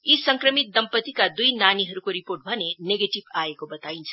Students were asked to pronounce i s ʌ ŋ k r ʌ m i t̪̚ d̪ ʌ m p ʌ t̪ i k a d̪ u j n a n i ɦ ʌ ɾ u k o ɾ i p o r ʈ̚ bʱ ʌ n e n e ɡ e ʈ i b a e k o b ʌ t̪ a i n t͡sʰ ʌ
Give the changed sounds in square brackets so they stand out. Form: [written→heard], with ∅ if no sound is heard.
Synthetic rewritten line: i s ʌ ŋ k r ʌ m i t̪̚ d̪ ʌ m p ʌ t̪ i k a d̪ u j n a n i ɦ ʌ ɾ u k o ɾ i p o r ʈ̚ bʱ ʌ n e n e ɡ e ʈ i b a e k o b ʌ t̪ a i n t͡sʰ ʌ

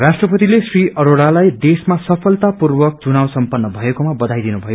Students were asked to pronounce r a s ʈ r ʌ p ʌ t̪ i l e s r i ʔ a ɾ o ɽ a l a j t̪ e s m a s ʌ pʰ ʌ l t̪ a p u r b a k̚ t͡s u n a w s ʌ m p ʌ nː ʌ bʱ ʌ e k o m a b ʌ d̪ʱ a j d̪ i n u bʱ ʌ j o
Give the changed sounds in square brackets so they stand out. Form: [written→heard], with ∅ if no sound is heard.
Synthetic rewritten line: r a s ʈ r ʌ p ʌ t̪ i l e s r i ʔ [a→ʌ] ɾ o ɽ a l a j [t̪→d̪] e s m a s ʌ pʰ ʌ l t̪ a p u r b [a→ʌ] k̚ t͡s u n a w s ʌ m p ʌ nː ʌ bʱ ʌ e k o m a b ʌ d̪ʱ a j d̪ i n u bʱ ʌ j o

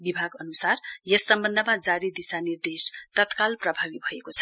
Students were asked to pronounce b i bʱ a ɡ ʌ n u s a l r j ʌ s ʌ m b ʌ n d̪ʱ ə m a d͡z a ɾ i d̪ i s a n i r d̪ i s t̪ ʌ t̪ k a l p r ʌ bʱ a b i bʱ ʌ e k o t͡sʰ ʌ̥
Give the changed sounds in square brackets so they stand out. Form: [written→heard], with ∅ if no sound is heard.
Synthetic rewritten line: b i bʱ a ɡ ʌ n u s a [l→∅] r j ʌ s ʌ m b ʌ n d̪ʱ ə m a d͡z a ɾ i d̪ i s a n i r d̪ [i→e] s t̪ ʌ t̪ k a l p r ʌ bʱ a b i bʱ ʌ e k o t͡sʰ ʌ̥

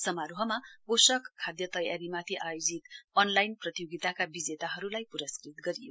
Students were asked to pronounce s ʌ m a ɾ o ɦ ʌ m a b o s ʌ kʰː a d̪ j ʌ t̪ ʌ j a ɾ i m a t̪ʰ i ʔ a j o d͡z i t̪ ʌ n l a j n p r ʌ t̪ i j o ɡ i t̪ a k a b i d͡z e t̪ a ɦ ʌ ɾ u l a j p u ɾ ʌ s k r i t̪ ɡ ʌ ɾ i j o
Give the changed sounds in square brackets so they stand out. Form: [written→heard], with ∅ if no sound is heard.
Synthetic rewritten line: s ʌ m a ɾ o ɦ ʌ m a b o s ʌ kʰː a d̪ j ʌ t̪ ʌ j a ɾ i m a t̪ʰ i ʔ a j o d͡z i t̪ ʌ n l a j n p r ʌ t̪ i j o ɡ i t̪ a k a b i d͡z e t̪ a ɦ ʌ ɾ u l a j p u ɾ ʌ s k r i t̪ ɡ ʌ ɾ i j o

